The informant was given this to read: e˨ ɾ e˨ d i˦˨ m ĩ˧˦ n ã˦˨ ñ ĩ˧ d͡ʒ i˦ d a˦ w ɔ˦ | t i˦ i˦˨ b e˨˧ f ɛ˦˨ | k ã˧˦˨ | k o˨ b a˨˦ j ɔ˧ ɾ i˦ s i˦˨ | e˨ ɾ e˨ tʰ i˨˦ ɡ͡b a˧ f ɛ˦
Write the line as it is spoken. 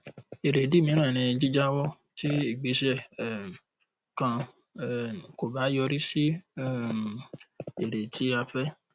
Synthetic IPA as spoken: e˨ ɾ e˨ d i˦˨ m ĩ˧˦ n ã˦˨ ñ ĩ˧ d͡ʒ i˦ d͡ʒ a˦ w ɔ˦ | t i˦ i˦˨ ɡ͡b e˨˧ ʃ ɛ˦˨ | k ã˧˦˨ | k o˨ b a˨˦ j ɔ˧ ɾ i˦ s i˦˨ | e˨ ɾ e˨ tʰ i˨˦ a˧ f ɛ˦